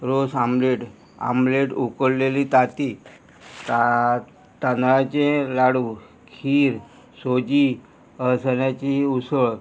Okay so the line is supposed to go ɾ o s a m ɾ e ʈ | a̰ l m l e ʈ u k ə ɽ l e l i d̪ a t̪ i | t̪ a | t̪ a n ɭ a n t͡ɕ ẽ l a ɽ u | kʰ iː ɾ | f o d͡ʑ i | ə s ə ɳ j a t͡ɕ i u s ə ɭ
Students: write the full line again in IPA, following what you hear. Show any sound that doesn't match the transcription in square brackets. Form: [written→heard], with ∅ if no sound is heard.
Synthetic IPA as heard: ɾ o s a m [ɾ→l] e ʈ | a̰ [l→∅] m l e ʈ u k ə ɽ l e l i [d̪→t̪] a t̪ i | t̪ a | t̪ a n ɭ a [n→∅] t͡ɕ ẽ l a ɽ u | kʰ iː ɾ | [f→s] o d͡ʑ i | ə s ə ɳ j a t͡ɕ i u s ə ɭ